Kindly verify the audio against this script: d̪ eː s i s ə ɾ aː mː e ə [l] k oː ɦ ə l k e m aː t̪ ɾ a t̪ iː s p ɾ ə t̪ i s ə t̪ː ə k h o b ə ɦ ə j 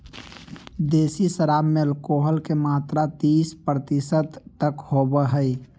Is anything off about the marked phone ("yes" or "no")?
no